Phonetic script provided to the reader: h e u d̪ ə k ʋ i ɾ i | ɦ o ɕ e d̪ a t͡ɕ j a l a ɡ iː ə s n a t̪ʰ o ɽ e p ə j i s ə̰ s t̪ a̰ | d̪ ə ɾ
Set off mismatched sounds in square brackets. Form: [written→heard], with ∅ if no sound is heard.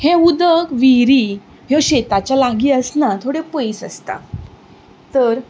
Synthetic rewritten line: h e u d̪ ə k ʋ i ɾ i | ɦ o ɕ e [d̪→t̪] a t͡ɕ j a l a ɡ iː ə s n a t̪ʰ o ɽ e p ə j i s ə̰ s t̪ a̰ | [d̪→t̪] ə ɾ